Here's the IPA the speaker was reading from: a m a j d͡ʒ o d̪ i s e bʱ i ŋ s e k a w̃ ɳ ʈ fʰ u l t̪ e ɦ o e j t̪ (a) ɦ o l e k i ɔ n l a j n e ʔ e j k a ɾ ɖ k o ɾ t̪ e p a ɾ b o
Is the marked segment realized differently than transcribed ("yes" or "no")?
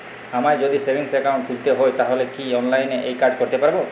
no